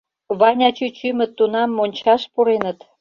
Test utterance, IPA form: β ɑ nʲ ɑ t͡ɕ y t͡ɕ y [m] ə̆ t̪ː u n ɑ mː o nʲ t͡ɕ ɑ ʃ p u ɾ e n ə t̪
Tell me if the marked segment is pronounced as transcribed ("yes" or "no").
yes